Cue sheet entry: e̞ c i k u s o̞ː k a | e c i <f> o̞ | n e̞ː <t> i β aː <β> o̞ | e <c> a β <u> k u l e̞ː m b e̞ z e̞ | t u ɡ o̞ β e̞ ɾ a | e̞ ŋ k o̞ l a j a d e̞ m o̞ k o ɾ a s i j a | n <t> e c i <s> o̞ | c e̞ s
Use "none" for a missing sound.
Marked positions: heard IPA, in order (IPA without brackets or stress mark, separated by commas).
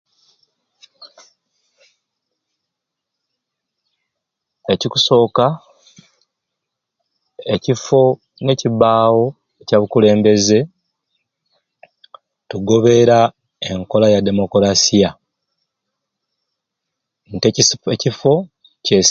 f, c, w, c, u, t, f